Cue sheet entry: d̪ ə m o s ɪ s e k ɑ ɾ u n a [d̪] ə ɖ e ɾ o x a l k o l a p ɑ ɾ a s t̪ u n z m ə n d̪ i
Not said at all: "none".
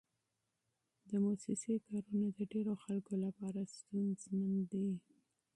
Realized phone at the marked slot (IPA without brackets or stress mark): d̪